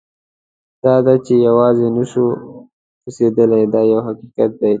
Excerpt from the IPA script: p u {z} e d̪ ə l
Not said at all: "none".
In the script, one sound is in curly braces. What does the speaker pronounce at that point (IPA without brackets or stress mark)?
s